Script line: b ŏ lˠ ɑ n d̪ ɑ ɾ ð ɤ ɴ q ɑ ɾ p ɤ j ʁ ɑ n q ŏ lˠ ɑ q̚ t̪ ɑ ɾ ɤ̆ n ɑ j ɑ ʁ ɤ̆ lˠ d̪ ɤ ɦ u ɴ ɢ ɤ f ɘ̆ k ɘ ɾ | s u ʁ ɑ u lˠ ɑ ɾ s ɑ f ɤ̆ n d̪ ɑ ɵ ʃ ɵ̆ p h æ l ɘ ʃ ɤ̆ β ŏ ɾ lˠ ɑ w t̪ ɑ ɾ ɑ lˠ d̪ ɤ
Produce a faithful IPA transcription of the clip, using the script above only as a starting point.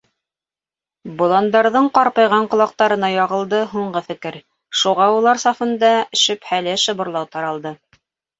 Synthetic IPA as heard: b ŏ lˠ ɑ n d̪ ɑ ɾ ð ɤ ɴ q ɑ ɾ p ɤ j ʁ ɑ ɴ q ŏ lˠ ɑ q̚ t̪ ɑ ɾ ɤ̆ n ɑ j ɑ ʁ ɤ̆ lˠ d̪ ɤ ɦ u ɴ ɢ ɤ f ɘ̆ k ɘ ɾ | ʃ u ʁ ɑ u lˠ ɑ ɾ s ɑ f ɤ̆ n d̪ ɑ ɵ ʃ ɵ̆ p h æ l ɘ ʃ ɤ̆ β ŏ ɾ lˠ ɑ w t̪ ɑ ɾ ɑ lˠ d̪ ɤ